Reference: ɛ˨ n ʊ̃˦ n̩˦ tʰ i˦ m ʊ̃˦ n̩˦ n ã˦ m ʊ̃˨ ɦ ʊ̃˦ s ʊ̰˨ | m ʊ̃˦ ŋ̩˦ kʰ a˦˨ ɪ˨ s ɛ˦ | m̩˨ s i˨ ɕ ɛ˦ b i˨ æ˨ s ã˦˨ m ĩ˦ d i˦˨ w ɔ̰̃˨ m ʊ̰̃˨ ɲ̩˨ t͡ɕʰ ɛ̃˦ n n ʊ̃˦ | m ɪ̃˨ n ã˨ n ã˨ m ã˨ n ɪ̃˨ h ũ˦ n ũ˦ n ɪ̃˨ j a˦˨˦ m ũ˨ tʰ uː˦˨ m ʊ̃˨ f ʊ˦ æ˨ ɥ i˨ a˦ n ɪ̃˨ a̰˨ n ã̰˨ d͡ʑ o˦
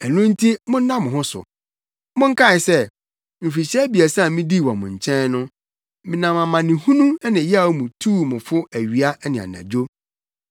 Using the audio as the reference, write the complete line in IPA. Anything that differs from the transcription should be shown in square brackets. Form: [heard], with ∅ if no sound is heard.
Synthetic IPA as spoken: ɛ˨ n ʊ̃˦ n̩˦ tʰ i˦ m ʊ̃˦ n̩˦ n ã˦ m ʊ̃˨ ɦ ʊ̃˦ s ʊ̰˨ | m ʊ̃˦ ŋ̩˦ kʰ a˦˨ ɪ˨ s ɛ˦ | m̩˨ [f] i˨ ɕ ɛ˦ b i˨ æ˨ s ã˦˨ m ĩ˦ d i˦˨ w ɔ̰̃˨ m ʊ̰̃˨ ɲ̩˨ t͡ɕʰ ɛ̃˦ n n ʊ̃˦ | m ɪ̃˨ n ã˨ [m] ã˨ m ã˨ n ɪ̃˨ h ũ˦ n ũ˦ n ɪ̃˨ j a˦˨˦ m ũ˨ tʰ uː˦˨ m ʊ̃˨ f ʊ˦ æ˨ ɥ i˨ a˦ n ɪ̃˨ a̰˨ n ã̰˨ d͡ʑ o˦